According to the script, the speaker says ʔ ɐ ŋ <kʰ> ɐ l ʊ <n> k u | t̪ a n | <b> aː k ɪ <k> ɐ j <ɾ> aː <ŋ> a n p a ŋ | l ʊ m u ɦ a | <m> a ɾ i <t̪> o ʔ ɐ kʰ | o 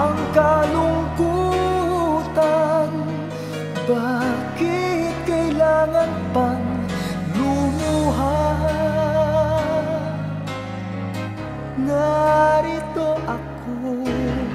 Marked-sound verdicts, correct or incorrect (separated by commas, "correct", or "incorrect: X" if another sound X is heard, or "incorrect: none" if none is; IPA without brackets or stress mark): incorrect: k, incorrect: ŋ, correct, correct, incorrect: l, correct, incorrect: ŋ, correct